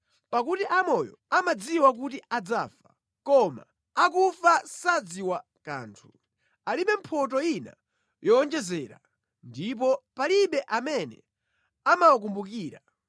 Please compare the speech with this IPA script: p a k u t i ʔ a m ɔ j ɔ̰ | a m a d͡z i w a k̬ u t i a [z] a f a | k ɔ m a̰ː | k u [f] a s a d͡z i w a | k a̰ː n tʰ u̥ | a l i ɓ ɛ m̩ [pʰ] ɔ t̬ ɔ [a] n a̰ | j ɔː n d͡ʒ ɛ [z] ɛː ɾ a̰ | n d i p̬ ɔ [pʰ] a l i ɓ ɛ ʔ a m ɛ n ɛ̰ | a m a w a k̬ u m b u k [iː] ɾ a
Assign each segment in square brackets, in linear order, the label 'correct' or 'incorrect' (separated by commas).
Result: incorrect, correct, correct, incorrect, correct, incorrect, correct